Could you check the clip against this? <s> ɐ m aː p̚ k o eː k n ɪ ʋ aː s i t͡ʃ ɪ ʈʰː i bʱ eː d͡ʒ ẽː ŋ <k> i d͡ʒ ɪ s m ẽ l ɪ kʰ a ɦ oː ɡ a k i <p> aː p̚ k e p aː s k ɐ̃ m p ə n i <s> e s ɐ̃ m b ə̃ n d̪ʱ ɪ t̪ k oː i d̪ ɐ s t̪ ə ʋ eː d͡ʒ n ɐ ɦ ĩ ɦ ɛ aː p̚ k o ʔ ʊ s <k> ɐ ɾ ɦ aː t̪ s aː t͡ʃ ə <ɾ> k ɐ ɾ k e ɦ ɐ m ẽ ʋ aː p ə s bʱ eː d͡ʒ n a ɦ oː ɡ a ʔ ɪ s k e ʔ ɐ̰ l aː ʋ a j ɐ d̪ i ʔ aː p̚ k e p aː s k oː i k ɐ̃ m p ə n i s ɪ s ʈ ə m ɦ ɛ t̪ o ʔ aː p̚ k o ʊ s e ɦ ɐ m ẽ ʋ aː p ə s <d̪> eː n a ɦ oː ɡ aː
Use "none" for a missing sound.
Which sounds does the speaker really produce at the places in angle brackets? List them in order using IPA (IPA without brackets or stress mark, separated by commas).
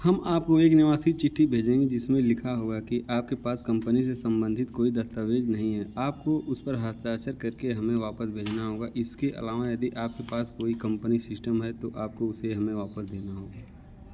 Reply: h, ɡ, ʔ, s, p, ɾ, d̪